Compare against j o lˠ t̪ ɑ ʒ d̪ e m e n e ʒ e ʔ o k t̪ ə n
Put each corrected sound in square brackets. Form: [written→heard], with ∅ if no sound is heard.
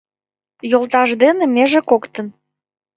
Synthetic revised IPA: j o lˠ t̪ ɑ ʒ d̪ e [m→n] e [n→m] e ʒ e [ʔ→k] o k t̪ ə n